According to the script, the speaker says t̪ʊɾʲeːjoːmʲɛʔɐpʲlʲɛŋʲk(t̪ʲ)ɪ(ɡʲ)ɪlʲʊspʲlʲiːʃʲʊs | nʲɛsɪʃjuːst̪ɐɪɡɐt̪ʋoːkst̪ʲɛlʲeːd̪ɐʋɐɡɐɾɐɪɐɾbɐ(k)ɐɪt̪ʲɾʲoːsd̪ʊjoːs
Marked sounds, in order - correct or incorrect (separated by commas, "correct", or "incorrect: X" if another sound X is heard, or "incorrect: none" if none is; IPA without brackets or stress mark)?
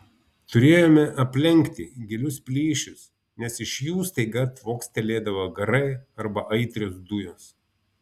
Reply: correct, correct, incorrect: ʔ